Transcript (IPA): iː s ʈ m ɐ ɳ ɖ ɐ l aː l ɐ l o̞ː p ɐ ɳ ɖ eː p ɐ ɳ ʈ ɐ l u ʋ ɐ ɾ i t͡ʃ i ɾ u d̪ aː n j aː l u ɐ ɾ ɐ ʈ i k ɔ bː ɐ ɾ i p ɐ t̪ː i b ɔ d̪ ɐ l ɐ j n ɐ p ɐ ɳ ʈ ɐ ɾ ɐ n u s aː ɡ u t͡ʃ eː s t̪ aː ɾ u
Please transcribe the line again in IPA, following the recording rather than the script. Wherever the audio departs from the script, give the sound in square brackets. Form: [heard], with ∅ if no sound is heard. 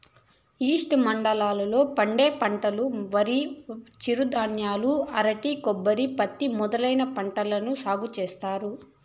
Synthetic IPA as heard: iː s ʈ m ɐ ɳ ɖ ɐ l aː l ɐ l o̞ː p ɐ ɳ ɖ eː p ɐ ɳ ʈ ɐ l u ʋ ɐ ɾ i t͡ʃ i ɾ u d̪ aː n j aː l u ɐ ɾ ɐ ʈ i k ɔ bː ɐ ɾ i p ɐ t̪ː i [m] ɔ d̪ ɐ l ɐ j n ɐ p ɐ ɳ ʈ ɐ [l] ɐ n u s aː ɡ u t͡ʃ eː s t̪ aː ɾ u